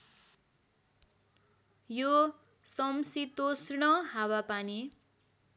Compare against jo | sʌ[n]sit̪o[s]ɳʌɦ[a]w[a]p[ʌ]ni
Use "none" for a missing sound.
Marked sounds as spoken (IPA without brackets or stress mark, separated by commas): m, s, a, a, a